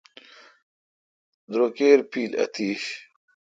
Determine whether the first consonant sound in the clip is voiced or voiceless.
voiced